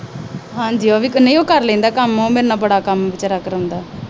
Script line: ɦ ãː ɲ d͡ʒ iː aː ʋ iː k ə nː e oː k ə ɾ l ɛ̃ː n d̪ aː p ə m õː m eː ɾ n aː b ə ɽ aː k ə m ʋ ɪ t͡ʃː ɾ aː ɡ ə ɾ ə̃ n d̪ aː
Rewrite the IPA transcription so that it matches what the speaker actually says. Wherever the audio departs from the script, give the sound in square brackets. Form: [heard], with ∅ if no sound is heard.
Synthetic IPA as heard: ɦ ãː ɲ d͡ʒ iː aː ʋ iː k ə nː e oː k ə ɾ l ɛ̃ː n d̪ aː [k] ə m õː m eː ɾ n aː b ə ɽ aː k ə m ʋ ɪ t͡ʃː ɾ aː [k] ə ɾ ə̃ n d̪ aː